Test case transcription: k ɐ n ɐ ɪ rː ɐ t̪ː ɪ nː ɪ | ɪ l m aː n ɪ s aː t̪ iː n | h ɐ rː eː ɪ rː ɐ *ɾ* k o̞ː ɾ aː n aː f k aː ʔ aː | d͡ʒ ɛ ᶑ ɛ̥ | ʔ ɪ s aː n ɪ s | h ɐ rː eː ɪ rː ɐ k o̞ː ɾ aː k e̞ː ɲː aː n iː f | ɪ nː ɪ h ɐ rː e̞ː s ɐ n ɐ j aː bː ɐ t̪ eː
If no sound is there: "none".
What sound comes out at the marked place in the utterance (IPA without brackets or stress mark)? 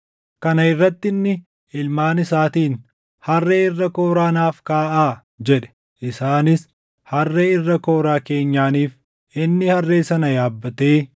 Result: none